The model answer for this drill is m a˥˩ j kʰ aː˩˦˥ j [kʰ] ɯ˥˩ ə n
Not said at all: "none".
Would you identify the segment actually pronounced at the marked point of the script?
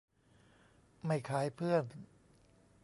pʰ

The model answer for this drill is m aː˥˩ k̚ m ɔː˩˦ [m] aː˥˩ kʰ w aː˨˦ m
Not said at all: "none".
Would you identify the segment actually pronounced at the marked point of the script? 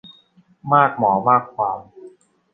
m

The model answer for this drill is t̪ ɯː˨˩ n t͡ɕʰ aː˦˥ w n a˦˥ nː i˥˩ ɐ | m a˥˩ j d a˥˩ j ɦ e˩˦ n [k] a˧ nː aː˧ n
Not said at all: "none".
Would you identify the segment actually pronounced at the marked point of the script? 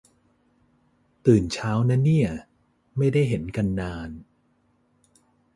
k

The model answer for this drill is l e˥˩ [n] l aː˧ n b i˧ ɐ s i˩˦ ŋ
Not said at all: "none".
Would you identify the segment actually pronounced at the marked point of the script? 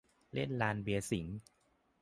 n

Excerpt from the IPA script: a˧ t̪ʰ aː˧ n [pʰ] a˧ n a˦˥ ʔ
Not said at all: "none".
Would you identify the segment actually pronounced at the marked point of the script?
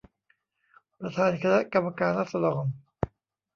kʰ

